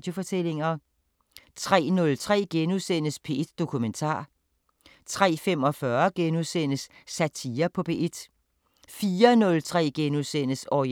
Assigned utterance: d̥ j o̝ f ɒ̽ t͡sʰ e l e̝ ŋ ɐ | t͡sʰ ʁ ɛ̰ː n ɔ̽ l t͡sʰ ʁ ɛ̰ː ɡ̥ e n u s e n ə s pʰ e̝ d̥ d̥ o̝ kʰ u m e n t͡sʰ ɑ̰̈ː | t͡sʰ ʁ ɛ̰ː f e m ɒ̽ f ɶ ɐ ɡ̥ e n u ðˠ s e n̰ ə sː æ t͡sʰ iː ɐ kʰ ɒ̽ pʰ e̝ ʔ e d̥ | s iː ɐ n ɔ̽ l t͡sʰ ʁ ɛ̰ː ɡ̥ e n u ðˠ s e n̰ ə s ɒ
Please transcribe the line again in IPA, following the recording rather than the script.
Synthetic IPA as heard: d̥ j o̝ f ɒ̽ t͡sʰ e l e̝ ŋ ɐ | t͡sʰ ʁ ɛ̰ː n ɔ̽ l t͡sʰ ʁ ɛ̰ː ɡ̥ e n u s e n ə s pʰ e̝ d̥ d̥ o̝ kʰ u m e n t͡sʰ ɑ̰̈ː | t͡sʰ ʁ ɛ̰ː f e m ɒ̽ f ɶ ɐ ɡ̥ e n u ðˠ s e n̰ ə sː æ t͡sʰ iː ɐ pʰ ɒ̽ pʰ e̝ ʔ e d̥ | f iː ɐ n ɔ̽ l t͡sʰ ʁ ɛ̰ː ɡ̥ e n u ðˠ s e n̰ ə s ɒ